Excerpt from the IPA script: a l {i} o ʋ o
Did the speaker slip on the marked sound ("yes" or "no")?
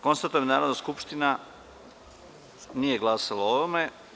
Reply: yes